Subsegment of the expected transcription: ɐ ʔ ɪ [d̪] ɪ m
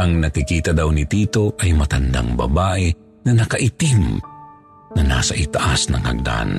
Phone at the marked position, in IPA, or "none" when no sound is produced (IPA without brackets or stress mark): t̪